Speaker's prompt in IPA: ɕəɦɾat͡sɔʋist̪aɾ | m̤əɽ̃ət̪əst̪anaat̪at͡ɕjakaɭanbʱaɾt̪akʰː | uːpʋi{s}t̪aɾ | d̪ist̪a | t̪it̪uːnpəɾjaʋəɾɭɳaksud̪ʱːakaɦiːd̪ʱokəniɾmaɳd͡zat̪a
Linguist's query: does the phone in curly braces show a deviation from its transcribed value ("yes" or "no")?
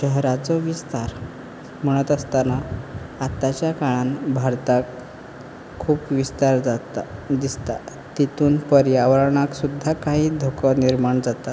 no